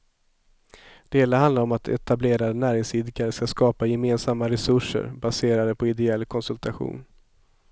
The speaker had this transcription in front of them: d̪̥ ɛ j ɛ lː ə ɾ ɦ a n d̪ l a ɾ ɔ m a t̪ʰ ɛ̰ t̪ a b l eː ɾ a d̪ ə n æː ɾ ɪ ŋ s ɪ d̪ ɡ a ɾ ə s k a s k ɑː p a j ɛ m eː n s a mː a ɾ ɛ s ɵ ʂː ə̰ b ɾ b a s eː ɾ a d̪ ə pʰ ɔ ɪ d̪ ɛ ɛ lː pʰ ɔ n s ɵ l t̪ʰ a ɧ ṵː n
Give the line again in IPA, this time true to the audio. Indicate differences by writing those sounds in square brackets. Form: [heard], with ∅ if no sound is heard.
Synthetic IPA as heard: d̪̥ ɛ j ɛ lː ə ɾ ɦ a n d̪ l a ɾ ɔ m a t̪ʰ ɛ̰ t̪ a b l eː ɾ a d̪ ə n æː ɾ ɪ ŋ s ɪ d̪ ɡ a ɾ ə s k a s k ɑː p a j ɛ m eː n s a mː a ɾ ɛ s ɵ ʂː ə̰ [∅] ɾ b a s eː ɾ a d̪ ə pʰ ɔ ɪ d̪ ɛ ɛ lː [kʰ] ɔ n s ɵ l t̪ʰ a ɧ ṵː n